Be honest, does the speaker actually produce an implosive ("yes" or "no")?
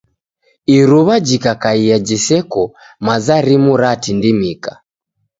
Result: no